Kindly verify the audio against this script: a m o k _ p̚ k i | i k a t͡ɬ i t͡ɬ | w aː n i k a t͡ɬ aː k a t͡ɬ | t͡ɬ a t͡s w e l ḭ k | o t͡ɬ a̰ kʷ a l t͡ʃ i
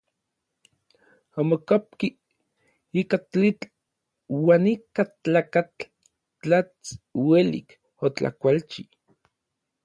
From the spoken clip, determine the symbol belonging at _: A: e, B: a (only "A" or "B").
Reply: B